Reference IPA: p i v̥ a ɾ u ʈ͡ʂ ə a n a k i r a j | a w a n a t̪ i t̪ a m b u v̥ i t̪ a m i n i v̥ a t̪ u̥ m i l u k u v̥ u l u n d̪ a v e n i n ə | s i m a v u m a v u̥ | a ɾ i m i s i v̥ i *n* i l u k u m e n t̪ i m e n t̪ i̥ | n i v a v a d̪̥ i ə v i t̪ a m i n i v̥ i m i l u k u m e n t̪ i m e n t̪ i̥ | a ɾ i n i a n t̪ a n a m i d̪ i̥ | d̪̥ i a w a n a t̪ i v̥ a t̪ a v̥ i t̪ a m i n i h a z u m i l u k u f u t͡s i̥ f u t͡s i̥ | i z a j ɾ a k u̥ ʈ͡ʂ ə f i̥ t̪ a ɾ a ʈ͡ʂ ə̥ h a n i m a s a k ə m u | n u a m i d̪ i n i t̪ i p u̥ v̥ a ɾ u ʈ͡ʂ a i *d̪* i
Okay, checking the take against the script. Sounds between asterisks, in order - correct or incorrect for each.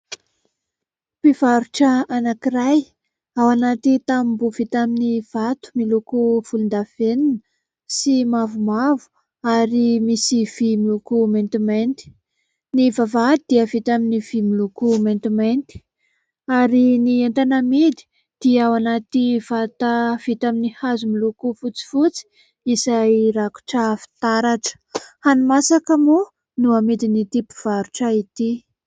incorrect: m, incorrect: t̪

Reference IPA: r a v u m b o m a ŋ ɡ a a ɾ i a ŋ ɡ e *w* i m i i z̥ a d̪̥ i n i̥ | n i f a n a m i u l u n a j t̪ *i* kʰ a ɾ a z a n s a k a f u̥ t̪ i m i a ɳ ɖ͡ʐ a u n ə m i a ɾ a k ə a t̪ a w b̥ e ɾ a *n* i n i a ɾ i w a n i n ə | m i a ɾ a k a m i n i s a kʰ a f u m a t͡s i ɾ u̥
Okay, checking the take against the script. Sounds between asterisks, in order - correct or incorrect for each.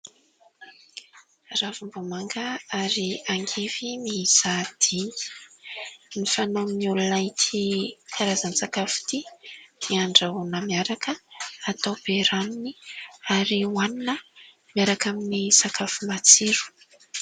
incorrect: v, correct, correct

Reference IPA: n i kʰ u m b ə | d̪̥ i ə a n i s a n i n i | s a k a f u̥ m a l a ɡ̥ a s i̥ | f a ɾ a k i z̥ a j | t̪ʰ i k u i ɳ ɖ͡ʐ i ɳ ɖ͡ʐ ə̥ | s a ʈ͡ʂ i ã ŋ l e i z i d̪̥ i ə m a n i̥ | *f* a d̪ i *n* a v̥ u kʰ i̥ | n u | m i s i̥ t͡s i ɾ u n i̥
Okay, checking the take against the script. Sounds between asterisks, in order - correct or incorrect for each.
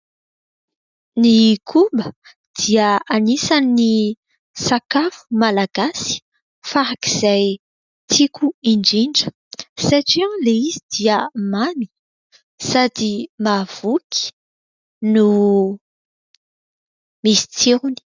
incorrect: s, incorrect: m

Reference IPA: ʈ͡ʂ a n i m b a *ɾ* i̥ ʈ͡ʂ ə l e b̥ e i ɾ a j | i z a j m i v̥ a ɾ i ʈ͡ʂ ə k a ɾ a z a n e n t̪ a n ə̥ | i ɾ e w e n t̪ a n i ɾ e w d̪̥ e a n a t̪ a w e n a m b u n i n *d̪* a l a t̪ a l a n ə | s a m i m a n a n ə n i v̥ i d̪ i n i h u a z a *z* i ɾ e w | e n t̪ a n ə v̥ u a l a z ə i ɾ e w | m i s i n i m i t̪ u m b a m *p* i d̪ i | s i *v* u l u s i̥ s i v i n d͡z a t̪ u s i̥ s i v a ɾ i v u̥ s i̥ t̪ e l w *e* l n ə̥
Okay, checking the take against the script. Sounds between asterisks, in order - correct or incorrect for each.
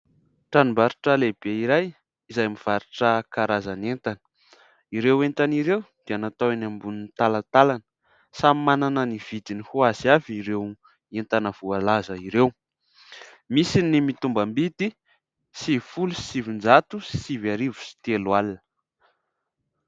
correct, incorrect: t̪, incorrect: v, incorrect: b, incorrect: f, incorrect: a

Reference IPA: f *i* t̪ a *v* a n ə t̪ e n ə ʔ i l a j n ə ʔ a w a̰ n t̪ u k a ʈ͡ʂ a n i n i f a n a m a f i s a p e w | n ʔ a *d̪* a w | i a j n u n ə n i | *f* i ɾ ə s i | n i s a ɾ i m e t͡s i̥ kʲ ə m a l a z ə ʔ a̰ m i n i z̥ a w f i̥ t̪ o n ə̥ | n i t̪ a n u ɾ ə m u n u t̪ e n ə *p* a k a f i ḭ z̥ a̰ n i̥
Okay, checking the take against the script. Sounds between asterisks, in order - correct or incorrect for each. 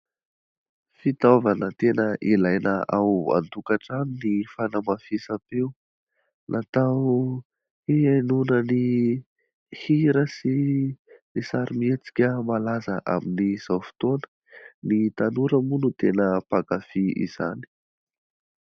correct, correct, incorrect: t̪, incorrect: h, correct

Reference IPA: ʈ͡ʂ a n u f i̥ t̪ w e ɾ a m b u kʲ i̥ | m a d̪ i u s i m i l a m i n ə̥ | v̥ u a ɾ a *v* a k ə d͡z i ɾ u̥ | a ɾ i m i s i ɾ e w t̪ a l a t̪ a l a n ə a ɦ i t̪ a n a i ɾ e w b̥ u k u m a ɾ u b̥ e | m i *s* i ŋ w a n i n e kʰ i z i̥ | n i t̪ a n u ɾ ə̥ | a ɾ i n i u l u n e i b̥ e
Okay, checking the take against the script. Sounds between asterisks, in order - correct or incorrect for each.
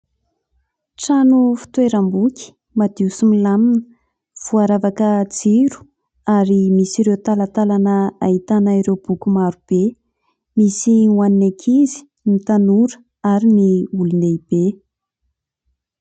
correct, correct

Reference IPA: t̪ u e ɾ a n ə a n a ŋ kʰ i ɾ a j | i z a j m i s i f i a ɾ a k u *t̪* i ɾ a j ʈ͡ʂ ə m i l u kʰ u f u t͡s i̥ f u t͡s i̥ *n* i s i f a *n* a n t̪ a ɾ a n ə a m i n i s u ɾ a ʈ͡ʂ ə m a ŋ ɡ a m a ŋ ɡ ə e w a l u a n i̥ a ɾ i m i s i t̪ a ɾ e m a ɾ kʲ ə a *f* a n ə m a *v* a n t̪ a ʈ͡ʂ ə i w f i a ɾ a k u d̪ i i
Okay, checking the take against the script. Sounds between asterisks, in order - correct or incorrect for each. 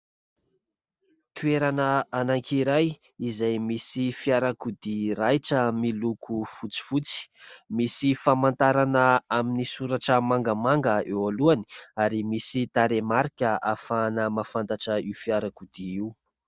incorrect: d̪, incorrect: m, incorrect: m, correct, incorrect: f

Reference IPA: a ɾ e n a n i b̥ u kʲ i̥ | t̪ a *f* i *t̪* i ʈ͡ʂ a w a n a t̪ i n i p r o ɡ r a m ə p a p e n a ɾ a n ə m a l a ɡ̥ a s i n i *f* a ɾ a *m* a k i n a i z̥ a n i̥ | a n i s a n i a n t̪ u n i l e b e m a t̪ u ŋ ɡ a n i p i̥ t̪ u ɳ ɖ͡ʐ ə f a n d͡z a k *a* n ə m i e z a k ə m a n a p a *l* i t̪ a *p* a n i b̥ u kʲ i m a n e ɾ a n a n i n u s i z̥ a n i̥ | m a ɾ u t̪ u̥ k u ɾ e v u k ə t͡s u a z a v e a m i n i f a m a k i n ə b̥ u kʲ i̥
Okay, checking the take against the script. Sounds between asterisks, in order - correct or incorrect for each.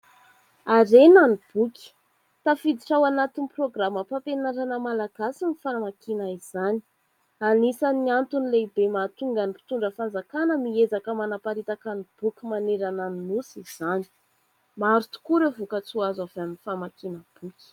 correct, incorrect: d̪, correct, correct, correct, incorrect: ɾ, incorrect: k

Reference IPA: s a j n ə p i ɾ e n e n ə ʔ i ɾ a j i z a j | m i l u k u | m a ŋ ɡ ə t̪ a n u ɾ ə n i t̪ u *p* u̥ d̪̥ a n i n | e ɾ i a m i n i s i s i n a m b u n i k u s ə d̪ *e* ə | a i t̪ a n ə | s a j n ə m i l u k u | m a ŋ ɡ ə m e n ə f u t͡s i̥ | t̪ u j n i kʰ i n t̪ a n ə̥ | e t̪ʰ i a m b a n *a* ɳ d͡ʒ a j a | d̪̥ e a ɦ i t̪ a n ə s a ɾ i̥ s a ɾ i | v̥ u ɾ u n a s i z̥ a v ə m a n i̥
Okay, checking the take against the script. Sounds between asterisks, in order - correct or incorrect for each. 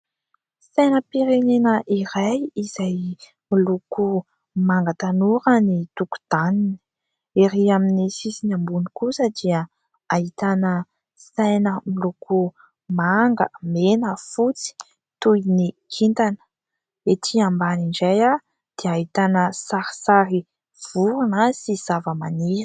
incorrect: k, incorrect: i, incorrect: i

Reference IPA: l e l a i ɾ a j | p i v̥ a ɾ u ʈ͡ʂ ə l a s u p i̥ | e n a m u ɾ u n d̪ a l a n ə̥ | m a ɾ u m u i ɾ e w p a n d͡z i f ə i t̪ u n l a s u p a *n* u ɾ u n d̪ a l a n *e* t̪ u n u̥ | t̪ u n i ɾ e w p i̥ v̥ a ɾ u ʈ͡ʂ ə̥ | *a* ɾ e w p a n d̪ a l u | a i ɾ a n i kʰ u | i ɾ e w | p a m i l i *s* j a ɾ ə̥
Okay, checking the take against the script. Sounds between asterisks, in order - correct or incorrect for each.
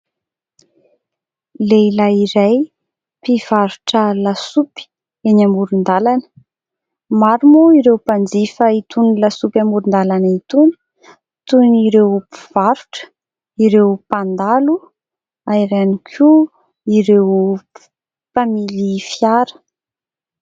incorrect: m, incorrect: i, incorrect: i, incorrect: f

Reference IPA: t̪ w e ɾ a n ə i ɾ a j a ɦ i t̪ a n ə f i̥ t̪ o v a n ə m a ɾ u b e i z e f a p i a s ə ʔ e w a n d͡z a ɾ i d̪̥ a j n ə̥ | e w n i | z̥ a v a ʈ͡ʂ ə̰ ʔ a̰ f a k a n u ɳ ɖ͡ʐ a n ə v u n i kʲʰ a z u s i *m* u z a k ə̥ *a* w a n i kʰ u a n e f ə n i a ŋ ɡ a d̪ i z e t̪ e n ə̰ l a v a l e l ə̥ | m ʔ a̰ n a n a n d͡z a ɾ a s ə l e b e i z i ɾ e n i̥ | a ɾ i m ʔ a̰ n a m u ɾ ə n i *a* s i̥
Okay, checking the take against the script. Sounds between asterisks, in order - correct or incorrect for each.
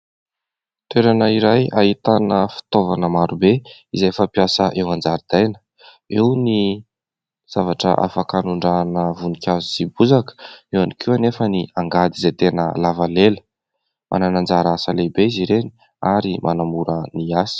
incorrect: b, incorrect: e, correct

